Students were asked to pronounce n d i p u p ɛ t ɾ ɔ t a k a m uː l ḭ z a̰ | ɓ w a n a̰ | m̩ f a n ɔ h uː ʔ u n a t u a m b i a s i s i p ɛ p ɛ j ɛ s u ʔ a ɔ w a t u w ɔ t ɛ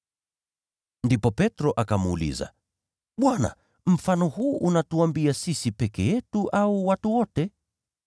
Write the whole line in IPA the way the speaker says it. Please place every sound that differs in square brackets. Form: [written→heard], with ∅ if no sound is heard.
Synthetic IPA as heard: n d i p [u→ɔ] p ɛ t ɾ ɔ [t→ʔ] a k a m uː l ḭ z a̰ | ɓ w a n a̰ | m̩ f a n ɔ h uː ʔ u n a t u a m b i a s i s i p ɛ [p→k] ɛ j ɛ [s→t] u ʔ a [ɔ→u] w a t u w ɔ t ɛ